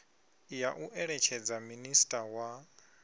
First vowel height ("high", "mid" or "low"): low